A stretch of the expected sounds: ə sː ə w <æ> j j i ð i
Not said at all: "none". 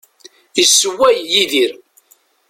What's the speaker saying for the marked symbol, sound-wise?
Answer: æ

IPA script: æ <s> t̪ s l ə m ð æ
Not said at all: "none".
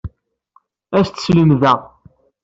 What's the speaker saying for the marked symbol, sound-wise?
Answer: s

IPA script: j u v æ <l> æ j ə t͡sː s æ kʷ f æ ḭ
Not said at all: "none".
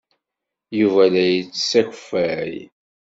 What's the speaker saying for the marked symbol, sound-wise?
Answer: l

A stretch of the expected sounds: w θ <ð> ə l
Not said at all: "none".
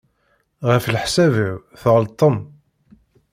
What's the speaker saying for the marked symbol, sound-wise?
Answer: ʁ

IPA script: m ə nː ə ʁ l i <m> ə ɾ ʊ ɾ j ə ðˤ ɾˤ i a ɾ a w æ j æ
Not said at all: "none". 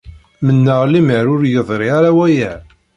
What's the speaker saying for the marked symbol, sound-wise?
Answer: m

